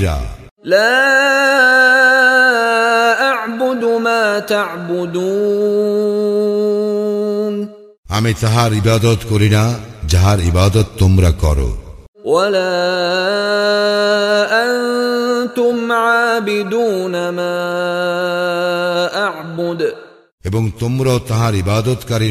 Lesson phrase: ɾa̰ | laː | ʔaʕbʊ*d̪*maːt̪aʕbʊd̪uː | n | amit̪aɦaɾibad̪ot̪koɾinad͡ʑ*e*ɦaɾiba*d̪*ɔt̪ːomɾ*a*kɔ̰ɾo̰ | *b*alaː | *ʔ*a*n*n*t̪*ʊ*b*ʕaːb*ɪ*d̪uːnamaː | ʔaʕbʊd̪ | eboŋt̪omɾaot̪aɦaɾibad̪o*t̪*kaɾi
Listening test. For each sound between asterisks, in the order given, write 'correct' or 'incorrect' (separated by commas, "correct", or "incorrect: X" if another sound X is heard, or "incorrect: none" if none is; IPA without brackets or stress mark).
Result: correct, incorrect: a, correct, correct, incorrect: w, correct, correct, correct, incorrect: m, correct, correct